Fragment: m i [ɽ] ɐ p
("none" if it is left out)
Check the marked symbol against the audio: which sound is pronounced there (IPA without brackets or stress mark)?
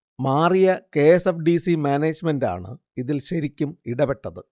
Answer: ɽ